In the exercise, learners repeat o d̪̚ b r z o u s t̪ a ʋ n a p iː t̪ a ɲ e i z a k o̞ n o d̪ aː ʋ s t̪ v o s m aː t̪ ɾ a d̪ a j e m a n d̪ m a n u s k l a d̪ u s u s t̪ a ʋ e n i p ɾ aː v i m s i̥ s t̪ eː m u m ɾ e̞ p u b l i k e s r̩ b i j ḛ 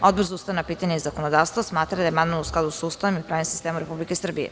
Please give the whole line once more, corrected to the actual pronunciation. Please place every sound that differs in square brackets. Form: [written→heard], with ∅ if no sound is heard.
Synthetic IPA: o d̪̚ b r z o u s t̪ a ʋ n a p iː t̪ a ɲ e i z a k o̞ n o d̪ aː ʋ s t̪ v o s m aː t̪ ɾ a d̪ a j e m a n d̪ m a n u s k l a d̪ u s u s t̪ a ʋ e [n→m] i p ɾ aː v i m s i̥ s t̪ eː m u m ɾ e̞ p u b l i k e s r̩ b i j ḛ